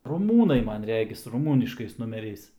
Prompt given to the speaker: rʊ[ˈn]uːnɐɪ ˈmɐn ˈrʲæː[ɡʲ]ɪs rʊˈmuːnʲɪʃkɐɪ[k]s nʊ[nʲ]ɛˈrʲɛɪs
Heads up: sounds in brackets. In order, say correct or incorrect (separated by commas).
incorrect, correct, incorrect, incorrect